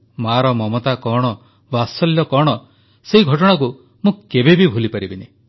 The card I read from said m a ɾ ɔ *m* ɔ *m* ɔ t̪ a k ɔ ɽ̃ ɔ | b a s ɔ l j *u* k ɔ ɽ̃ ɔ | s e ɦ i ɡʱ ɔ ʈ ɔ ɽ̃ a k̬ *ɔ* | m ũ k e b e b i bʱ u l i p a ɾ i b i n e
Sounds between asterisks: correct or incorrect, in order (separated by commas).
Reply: correct, correct, incorrect, incorrect